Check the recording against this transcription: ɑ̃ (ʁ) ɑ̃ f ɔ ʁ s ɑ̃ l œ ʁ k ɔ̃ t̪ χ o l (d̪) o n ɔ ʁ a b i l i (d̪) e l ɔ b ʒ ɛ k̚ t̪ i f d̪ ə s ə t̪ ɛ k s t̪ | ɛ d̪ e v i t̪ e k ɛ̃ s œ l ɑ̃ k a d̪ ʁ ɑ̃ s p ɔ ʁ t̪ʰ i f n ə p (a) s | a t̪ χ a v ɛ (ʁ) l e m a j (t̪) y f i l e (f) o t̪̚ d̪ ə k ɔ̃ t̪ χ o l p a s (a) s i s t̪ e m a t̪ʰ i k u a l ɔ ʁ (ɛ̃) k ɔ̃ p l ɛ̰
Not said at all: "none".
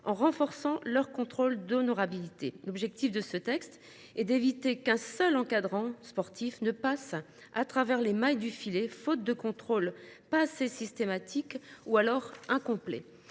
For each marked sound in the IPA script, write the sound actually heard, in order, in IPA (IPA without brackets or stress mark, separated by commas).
ʁ, d̪, t̪, a, ʁ, d̪, f, e, ɛ̃